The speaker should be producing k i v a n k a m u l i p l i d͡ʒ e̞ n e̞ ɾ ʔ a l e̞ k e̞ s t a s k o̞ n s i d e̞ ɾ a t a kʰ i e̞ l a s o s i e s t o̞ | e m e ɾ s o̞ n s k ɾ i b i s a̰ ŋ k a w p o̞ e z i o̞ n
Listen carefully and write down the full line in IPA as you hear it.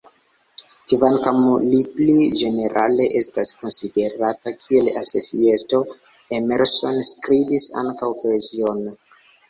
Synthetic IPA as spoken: k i v a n k a m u l i p l i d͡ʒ e̞ n e̞ ɾ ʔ a l e̞ ʔ e̞ s t a s k o̞ n s i d e̞ ɾ a t a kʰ i e̞ l a s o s i e s t o̞ | e m e ɾ s o̞ n s k ɾ i b i s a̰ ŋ k a w p o̞ e z i o̞ n